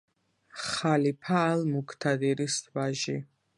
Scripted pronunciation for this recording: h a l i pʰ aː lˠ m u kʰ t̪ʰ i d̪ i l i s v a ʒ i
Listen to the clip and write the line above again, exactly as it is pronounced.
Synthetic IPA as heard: χ a l i pʰ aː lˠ m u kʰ t̪ʰ a d̪ i ɾ i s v a ʒ i